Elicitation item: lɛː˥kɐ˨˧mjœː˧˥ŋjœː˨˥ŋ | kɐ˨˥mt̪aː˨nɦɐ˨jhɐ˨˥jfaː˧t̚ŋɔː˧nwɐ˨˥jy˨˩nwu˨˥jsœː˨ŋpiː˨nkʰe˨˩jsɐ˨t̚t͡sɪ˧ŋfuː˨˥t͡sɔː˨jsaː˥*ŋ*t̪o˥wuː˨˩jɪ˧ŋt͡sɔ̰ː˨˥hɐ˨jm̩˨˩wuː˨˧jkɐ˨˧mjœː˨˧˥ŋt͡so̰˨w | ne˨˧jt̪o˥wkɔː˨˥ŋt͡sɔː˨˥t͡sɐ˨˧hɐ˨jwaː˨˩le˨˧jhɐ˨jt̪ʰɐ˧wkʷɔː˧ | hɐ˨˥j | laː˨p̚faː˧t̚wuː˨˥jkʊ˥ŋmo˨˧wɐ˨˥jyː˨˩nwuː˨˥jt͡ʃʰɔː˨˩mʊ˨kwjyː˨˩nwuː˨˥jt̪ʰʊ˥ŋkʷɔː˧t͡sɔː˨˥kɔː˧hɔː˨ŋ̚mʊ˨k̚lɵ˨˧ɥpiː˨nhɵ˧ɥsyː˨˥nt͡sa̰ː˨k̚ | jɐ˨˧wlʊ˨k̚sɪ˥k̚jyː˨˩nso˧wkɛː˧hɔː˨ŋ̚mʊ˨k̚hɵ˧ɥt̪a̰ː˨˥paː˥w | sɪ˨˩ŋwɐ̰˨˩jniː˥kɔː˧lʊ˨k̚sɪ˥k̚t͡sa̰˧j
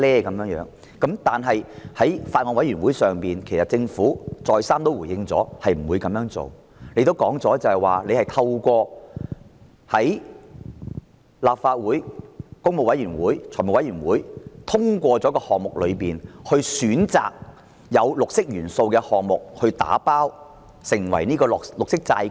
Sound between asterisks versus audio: incorrect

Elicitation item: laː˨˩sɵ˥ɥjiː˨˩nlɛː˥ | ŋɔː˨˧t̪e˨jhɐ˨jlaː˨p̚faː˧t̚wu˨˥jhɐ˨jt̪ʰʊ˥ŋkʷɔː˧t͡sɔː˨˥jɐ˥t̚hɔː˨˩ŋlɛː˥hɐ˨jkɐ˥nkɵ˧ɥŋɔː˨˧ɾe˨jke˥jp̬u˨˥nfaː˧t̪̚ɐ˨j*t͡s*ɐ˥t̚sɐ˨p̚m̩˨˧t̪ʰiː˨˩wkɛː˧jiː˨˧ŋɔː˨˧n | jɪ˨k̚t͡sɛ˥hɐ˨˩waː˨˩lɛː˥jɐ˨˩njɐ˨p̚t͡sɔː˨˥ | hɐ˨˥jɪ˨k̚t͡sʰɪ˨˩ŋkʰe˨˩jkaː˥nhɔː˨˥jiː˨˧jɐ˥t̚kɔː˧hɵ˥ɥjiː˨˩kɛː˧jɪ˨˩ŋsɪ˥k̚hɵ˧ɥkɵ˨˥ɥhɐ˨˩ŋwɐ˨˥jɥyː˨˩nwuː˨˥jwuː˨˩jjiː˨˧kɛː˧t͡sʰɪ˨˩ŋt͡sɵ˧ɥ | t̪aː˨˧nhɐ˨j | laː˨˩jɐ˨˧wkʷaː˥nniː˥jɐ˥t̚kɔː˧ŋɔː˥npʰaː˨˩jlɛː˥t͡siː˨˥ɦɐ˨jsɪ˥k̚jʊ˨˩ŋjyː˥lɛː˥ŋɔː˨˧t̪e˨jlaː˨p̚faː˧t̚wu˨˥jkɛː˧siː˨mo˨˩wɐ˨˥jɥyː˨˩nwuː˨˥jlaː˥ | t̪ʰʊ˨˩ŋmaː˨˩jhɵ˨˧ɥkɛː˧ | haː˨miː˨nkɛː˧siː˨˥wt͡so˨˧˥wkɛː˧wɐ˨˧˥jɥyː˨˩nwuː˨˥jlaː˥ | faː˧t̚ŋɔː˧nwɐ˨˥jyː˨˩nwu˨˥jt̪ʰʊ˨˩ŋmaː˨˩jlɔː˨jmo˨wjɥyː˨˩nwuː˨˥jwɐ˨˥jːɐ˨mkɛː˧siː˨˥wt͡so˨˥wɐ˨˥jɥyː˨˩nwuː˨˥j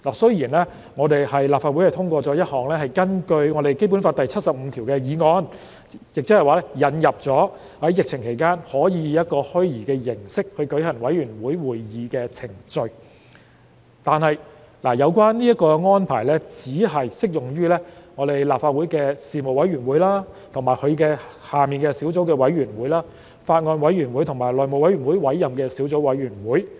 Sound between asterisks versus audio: incorrect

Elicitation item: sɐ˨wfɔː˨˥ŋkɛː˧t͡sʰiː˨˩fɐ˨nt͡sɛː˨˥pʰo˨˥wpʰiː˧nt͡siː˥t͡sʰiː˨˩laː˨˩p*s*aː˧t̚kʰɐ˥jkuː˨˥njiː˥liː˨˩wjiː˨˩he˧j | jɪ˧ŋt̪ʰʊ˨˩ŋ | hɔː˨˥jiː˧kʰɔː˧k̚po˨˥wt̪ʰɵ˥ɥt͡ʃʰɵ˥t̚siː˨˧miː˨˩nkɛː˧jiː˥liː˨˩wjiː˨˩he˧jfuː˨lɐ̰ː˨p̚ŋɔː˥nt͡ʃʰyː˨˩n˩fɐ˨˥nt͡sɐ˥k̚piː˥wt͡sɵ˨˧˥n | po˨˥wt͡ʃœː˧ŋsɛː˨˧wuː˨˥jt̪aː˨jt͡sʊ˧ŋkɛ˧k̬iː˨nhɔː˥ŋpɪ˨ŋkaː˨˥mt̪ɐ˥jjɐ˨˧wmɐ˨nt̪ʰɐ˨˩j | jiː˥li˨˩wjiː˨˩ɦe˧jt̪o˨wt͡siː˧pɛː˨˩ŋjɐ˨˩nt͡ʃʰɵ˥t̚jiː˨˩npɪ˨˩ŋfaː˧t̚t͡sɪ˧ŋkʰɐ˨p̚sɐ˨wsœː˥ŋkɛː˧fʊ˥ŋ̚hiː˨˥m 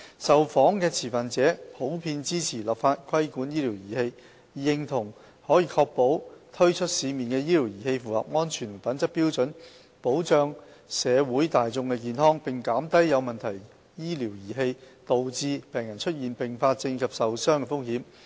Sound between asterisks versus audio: incorrect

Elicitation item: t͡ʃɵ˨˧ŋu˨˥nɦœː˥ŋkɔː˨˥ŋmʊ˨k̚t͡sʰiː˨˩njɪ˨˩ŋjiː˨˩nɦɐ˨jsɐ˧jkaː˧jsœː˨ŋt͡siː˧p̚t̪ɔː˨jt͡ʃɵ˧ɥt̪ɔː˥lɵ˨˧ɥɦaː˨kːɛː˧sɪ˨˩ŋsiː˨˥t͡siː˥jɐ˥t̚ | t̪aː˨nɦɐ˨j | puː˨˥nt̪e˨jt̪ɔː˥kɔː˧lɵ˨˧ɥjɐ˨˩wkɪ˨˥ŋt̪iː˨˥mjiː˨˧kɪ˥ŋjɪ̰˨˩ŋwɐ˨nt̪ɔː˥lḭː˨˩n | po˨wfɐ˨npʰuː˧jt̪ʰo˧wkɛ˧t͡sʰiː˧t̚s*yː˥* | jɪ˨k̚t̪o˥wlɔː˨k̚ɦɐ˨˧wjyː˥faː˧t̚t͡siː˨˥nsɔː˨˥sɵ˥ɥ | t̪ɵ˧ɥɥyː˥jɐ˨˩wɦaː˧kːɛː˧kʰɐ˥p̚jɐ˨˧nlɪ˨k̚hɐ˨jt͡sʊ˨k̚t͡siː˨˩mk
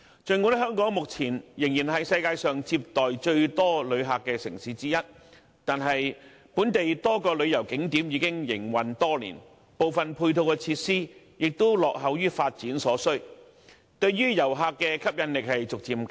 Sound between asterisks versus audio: incorrect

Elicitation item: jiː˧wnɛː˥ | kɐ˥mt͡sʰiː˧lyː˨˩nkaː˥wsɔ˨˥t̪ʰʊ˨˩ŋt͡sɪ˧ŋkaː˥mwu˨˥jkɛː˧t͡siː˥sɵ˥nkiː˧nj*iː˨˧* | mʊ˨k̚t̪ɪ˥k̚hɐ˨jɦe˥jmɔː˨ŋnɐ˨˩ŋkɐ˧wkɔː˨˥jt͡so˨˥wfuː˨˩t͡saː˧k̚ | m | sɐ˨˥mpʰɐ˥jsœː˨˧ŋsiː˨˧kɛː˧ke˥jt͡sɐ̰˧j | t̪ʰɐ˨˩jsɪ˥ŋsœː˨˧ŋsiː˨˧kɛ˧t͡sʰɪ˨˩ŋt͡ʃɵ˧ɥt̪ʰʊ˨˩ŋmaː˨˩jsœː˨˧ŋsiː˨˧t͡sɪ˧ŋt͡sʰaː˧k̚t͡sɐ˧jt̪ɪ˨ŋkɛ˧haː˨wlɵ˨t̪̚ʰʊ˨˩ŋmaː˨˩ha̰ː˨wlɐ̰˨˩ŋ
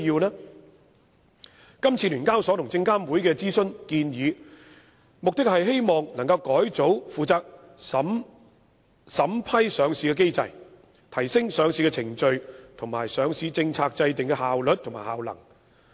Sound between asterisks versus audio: correct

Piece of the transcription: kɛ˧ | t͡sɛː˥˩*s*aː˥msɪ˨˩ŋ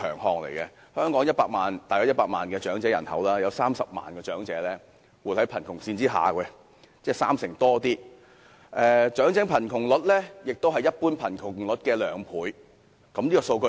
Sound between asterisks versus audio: correct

